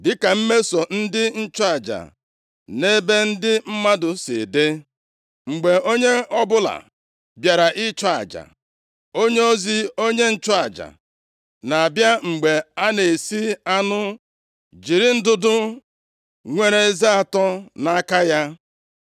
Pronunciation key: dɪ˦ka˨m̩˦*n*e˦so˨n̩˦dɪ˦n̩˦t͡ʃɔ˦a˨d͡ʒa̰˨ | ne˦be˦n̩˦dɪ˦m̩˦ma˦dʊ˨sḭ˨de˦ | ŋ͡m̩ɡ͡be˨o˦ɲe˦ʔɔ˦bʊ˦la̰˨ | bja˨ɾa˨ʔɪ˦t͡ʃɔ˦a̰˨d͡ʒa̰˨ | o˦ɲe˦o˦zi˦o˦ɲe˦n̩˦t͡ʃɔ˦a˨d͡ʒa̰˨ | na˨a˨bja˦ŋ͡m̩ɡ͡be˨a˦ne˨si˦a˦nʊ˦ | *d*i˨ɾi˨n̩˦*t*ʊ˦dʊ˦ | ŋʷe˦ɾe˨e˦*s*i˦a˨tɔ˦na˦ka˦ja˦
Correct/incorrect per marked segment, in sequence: incorrect: m, incorrect: d͡ʒ, incorrect: d, incorrect: z

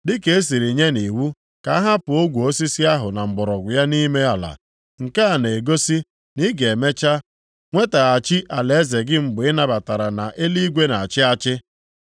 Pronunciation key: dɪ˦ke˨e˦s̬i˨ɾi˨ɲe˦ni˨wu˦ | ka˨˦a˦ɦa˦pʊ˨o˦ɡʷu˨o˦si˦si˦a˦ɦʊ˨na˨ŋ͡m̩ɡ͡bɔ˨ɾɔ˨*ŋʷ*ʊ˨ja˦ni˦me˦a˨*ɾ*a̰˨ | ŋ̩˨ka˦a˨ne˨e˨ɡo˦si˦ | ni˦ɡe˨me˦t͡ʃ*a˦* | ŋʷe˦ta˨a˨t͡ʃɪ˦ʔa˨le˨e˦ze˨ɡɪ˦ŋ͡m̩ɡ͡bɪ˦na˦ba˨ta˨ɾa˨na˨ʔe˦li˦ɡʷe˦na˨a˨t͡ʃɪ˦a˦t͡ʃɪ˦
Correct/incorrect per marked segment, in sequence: incorrect: ɡʷ, incorrect: l, correct

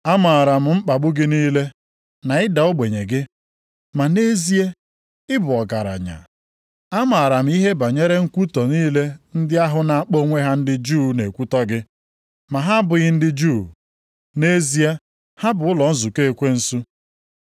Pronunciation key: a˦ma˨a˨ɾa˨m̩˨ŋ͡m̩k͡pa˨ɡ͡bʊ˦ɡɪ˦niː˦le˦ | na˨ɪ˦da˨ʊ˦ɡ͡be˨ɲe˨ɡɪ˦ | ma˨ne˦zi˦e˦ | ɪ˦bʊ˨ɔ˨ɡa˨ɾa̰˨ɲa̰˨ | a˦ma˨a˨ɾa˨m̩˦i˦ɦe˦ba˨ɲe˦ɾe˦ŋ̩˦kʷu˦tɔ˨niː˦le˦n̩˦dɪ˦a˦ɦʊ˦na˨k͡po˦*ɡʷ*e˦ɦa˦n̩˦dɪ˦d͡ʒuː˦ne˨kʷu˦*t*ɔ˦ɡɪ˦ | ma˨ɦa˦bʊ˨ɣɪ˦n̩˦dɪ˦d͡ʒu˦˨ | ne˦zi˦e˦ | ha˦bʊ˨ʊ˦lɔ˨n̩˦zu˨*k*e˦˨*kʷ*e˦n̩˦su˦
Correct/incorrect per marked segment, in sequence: incorrect: ŋʷ, correct, correct, correct

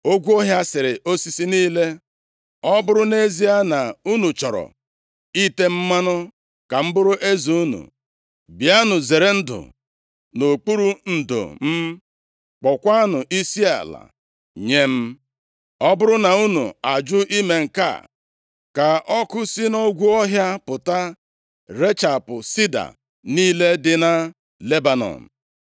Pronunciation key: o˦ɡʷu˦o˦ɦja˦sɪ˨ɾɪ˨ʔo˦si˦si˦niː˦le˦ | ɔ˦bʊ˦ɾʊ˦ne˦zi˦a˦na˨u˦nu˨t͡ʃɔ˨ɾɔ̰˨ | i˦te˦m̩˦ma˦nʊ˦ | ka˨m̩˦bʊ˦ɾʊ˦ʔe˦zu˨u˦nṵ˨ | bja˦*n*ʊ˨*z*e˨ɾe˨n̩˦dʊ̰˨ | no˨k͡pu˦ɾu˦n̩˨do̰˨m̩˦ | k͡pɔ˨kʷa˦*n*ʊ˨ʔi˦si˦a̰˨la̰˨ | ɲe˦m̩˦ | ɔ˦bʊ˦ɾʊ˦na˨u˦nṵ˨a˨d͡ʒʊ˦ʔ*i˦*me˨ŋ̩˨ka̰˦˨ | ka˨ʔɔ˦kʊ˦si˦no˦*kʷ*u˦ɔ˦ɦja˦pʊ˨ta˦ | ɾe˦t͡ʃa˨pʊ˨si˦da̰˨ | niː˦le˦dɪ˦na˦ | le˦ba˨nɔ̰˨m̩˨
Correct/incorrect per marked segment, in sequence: correct, correct, correct, correct, incorrect: ɡʷ

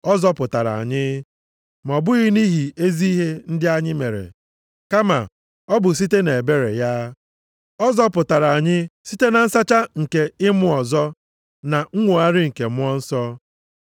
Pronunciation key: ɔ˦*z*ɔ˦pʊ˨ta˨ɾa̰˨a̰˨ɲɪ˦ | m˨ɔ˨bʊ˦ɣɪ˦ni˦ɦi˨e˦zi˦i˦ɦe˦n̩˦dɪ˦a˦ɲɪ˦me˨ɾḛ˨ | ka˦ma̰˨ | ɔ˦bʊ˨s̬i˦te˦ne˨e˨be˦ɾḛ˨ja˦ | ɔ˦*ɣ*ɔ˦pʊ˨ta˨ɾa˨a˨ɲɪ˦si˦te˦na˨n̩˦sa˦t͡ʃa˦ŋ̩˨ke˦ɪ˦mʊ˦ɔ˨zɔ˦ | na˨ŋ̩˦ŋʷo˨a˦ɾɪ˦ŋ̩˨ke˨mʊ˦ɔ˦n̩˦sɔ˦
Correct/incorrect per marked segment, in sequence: correct, incorrect: z

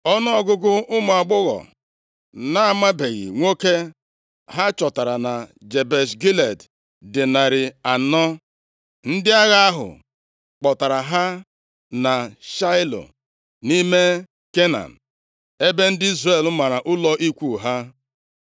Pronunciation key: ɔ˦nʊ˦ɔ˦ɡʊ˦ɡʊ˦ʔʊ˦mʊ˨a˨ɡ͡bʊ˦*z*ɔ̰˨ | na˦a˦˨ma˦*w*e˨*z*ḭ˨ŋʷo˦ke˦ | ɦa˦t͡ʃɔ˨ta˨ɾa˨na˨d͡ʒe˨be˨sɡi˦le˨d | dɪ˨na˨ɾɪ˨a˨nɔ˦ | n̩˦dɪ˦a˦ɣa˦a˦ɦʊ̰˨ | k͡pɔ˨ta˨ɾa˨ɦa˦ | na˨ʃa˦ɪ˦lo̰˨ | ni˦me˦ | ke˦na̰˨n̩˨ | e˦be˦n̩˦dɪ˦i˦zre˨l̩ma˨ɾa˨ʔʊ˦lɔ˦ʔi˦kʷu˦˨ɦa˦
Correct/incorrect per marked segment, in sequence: incorrect: ɣ, incorrect: b, incorrect: ɣ

